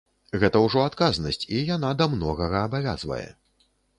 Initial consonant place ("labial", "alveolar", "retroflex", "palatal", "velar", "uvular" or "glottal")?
velar